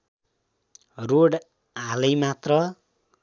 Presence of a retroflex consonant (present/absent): present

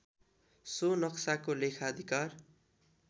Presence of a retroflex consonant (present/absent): absent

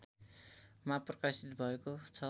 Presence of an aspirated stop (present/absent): present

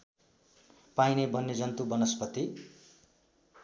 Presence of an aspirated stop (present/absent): absent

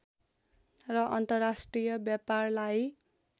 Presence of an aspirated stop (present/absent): absent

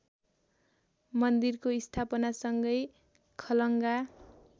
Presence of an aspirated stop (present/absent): present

